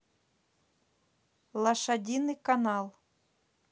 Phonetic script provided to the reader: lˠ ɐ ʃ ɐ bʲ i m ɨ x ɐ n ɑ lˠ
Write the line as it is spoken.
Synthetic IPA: lˠ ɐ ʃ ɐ dʲ i n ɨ k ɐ n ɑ lˠ